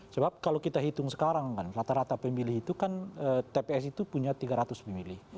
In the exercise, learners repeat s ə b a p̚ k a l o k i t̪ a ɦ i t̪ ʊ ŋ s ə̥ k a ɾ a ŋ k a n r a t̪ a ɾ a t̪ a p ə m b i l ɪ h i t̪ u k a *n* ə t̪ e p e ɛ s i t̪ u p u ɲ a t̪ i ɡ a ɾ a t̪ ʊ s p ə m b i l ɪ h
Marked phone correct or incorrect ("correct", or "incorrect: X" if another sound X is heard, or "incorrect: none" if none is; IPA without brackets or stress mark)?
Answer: correct